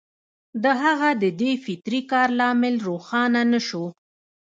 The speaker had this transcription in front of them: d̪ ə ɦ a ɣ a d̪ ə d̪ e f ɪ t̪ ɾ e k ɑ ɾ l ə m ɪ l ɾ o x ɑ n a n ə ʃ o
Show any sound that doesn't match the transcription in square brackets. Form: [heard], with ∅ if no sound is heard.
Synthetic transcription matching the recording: d̪ ə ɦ a ɣ a d̪ ə d̪ e f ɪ t̪ ɾ [i] k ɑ ɾ l [ɑ] m ɪ l ɾ o x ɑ n a n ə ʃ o